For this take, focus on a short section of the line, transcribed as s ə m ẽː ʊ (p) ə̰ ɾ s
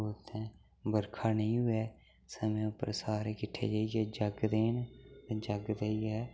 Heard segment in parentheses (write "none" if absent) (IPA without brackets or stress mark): p